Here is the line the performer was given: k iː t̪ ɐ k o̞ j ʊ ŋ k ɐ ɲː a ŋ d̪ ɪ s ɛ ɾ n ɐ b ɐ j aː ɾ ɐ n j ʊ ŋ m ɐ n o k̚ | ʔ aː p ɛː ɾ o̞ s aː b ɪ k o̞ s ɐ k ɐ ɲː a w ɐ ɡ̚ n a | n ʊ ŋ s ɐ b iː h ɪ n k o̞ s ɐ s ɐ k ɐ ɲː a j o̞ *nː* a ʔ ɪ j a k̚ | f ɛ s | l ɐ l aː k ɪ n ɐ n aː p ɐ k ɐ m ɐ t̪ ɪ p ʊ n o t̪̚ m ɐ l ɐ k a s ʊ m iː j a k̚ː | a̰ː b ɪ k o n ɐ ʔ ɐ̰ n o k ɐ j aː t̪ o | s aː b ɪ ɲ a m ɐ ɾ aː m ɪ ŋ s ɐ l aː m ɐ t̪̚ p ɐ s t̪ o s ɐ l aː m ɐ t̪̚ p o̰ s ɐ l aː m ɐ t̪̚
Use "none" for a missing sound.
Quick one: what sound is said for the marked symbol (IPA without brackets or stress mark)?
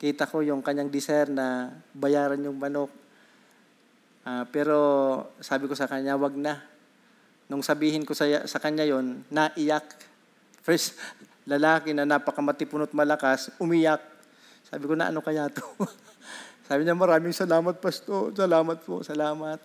nː